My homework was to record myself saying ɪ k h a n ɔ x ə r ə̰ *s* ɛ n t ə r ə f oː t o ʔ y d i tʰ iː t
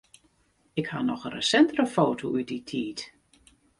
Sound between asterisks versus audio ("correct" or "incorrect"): correct